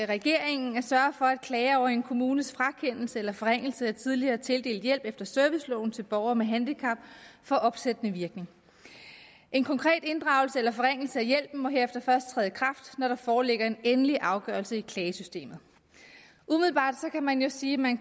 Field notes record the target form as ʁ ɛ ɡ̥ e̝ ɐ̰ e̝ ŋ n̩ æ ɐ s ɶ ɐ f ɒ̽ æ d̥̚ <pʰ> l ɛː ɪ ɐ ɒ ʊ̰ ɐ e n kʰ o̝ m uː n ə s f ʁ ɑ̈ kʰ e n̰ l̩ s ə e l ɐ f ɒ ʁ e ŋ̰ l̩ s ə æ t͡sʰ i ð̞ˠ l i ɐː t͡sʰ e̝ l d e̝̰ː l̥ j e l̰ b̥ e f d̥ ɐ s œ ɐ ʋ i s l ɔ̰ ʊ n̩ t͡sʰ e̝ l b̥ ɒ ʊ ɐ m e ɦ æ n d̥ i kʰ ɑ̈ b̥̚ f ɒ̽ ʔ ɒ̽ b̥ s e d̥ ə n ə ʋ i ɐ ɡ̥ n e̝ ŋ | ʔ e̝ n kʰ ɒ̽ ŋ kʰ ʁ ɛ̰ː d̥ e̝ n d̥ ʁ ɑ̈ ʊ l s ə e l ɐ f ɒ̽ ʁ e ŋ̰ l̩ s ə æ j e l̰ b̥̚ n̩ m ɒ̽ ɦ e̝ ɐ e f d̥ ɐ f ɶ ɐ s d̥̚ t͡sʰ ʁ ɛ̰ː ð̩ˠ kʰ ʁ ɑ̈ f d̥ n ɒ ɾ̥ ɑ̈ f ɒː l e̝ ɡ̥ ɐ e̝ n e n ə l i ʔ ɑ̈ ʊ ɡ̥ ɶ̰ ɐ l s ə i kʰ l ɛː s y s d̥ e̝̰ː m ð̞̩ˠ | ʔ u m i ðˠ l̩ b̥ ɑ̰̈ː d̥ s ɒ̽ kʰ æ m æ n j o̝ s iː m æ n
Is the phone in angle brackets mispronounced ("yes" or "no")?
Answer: yes